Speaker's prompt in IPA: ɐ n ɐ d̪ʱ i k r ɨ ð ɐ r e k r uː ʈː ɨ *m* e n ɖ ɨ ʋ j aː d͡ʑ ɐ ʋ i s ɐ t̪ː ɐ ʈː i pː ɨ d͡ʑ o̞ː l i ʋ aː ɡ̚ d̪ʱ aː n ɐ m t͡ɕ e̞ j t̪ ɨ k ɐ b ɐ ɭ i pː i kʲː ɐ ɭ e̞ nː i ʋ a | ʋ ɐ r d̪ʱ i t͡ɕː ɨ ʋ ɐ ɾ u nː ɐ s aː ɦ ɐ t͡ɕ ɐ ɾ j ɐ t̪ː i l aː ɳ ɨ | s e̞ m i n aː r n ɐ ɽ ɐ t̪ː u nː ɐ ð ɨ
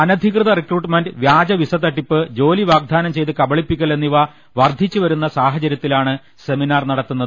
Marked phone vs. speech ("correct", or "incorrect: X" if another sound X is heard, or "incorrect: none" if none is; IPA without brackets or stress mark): correct